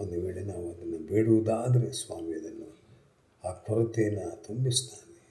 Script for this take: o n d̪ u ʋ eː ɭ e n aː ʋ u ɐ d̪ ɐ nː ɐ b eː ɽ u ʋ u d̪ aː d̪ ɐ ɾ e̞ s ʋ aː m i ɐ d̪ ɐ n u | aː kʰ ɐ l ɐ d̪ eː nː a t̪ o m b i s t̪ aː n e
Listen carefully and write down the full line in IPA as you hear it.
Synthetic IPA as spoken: o n d̪ u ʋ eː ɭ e n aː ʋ u ɐ d̪ ɐ nː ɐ b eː ɽ u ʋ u d̪ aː d̪ ɐ ɾ e̞ s ʋ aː m i ɐ d̪ ɐ nː u | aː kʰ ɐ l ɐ t̪ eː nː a t̪ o m b i s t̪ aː n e